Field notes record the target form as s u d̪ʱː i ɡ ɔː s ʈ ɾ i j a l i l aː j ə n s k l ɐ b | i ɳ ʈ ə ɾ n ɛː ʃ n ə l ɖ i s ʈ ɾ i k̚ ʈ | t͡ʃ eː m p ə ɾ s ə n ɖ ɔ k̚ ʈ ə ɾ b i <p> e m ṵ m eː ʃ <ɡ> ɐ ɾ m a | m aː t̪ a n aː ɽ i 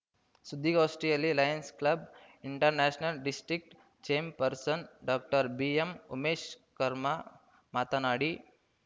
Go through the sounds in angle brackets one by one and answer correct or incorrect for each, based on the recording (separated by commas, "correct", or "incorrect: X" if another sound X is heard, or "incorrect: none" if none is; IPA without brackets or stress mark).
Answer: incorrect: none, incorrect: k